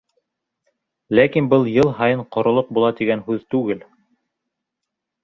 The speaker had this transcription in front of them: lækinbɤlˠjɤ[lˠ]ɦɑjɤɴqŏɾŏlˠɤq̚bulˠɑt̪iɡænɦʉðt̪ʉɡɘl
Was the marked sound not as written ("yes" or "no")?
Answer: no